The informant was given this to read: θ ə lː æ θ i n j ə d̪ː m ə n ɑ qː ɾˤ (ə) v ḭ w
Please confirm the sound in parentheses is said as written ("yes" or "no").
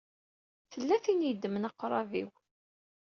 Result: no